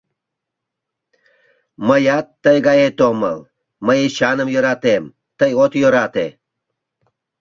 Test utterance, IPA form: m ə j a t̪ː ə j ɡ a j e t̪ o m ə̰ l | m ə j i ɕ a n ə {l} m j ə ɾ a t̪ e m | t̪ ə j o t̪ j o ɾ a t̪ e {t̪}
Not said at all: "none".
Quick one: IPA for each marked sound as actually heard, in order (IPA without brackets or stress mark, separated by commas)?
none, none